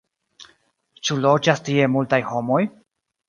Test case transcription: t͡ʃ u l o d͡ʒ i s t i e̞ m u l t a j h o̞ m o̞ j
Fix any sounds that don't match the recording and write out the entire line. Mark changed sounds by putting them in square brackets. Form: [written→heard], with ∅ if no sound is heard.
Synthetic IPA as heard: t͡ʃ u l o d͡ʒ [i→a] s t i e̞ m u l t a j h o̞ m o̞ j